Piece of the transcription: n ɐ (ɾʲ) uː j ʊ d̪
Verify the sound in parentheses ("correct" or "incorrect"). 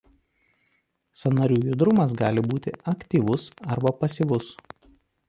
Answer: correct